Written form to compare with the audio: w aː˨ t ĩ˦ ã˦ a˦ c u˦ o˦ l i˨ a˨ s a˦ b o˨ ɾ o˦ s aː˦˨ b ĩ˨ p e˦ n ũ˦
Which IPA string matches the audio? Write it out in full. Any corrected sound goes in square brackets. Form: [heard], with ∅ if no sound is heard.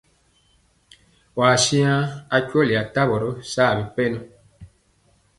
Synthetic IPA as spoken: w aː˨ [s] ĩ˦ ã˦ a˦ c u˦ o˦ l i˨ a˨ [t] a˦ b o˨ ɾ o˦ s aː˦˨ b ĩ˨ p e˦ n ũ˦